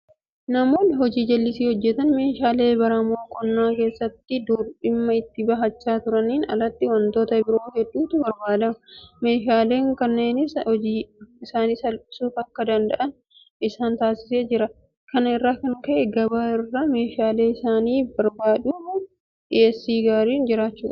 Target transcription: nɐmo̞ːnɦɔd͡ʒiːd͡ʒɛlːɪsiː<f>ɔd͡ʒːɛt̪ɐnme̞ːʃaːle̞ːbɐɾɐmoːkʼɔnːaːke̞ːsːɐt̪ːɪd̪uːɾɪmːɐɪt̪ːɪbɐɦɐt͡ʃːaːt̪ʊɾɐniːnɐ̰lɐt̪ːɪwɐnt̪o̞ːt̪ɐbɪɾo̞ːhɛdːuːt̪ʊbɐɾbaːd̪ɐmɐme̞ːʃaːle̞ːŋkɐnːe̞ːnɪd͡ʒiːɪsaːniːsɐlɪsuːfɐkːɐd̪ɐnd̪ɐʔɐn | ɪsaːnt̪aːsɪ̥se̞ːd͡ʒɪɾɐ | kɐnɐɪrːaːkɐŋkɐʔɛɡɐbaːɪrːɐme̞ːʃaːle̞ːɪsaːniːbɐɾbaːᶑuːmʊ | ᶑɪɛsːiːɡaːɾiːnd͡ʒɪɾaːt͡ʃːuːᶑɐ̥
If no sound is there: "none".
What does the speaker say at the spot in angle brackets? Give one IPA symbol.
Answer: h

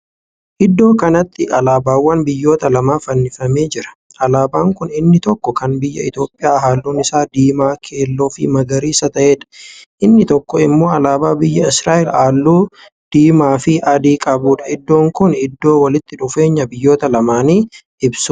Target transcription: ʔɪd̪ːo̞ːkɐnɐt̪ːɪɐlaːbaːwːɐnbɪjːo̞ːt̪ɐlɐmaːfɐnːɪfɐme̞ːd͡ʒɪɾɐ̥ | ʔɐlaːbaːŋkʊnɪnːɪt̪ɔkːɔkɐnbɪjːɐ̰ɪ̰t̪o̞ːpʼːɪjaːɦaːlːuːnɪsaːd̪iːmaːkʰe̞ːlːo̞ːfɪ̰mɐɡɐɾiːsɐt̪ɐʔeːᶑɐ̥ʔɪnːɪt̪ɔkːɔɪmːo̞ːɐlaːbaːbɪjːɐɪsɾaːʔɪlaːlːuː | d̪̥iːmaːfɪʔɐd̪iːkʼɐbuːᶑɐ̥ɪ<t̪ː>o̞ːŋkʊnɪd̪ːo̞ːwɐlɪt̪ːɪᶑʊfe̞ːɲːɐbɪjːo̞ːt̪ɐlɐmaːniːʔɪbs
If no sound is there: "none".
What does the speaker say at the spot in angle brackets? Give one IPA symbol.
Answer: d̪ː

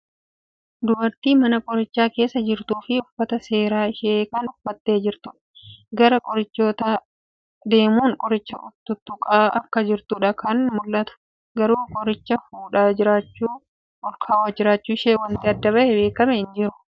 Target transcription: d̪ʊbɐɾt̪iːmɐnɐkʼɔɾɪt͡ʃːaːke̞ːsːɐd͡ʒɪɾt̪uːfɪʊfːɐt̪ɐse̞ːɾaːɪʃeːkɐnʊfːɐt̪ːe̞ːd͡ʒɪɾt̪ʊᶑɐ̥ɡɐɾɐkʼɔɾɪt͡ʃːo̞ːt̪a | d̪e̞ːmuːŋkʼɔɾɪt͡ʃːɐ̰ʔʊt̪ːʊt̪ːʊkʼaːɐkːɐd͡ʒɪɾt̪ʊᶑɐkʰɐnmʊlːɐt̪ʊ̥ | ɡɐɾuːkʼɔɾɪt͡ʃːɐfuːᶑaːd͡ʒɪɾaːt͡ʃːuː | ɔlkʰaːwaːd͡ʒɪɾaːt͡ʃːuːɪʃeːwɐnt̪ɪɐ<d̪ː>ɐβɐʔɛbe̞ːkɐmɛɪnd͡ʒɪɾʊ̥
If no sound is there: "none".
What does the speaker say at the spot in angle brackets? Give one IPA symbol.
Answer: d̪ː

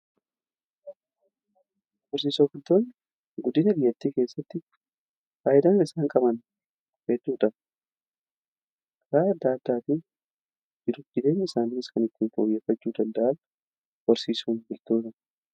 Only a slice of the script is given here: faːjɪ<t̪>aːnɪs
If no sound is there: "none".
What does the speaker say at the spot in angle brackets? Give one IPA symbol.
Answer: d̪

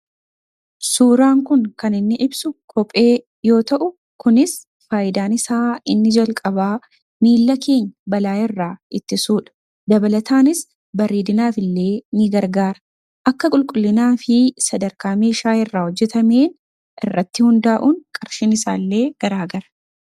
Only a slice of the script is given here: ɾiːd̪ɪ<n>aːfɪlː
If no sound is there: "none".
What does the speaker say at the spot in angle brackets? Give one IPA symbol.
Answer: n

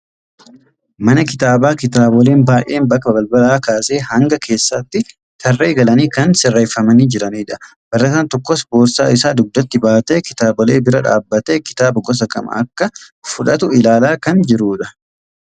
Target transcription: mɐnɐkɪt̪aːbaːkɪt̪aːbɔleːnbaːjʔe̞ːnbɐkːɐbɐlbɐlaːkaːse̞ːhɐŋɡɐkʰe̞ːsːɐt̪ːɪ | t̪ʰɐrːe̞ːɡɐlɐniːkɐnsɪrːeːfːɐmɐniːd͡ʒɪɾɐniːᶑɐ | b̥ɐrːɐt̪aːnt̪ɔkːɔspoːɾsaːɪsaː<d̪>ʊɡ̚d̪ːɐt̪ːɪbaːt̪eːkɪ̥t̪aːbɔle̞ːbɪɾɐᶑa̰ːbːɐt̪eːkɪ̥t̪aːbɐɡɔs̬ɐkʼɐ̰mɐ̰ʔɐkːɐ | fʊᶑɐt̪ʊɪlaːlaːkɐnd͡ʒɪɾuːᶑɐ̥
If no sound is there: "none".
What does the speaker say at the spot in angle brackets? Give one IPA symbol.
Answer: d̪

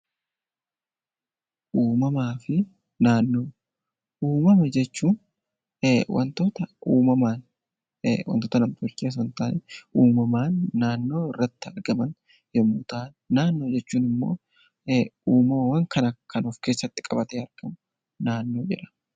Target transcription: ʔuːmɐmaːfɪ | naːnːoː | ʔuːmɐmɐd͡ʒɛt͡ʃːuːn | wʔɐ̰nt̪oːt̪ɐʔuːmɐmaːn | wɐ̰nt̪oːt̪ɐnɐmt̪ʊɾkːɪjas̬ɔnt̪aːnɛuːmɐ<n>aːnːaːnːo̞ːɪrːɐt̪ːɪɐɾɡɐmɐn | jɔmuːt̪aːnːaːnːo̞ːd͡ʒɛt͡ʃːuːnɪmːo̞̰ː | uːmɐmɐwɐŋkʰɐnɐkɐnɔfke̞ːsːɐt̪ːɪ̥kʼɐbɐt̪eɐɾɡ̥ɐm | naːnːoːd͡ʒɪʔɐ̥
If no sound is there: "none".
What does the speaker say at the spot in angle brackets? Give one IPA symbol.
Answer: m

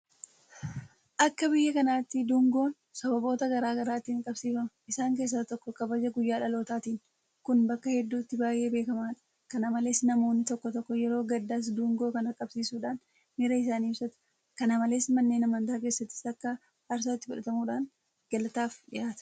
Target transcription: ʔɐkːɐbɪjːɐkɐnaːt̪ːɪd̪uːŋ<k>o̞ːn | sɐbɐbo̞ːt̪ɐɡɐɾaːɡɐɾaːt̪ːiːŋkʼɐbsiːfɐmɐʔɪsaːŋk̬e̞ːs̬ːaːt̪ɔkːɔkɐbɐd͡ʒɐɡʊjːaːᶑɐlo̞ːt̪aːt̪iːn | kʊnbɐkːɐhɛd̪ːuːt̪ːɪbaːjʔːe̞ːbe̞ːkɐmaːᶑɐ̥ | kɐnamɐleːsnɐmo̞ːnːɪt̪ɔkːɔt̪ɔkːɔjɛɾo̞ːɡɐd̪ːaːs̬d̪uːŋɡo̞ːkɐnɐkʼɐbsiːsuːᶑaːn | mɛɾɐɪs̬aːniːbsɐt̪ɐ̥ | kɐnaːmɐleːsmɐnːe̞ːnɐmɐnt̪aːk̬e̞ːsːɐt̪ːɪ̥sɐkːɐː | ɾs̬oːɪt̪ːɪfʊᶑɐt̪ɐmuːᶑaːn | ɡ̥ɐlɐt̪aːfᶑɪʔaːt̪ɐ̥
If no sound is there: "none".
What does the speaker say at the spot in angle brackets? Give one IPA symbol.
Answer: ɡ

